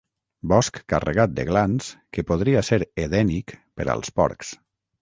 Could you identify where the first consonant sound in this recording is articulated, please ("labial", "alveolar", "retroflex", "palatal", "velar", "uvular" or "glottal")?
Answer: labial